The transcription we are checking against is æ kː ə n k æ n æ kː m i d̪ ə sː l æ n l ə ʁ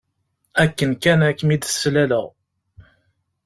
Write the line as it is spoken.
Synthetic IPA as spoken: æ kː ə n k æ n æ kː m i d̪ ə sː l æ l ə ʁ

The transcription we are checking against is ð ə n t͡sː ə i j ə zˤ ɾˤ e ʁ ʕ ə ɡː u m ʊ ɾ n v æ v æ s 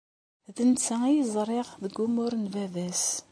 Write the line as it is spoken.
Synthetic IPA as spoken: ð ə n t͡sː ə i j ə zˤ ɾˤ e ʁ ð ə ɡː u m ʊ ɾ n v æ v æ s

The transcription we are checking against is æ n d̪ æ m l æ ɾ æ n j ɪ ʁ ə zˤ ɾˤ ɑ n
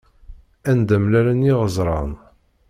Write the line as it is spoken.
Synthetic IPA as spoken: æ n d̪ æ m l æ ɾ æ n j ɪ ʁ ə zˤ ɾˤ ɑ n

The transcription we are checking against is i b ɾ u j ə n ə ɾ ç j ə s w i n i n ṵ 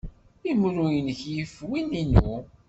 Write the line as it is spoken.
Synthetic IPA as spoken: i m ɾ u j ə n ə ç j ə f w i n i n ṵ

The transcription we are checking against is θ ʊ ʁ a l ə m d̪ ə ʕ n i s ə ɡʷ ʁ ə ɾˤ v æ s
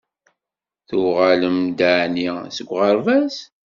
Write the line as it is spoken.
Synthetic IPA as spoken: θ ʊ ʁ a l ə m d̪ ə ʕ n i s ə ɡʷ ʁ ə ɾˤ v æ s

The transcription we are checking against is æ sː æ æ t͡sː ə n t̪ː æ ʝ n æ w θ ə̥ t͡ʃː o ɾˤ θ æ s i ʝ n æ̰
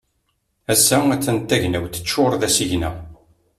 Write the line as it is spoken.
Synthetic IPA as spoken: æ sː æ æ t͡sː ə n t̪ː æ ʝ n æ w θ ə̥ t͡ʃː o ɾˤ ð æ s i ʝ n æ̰

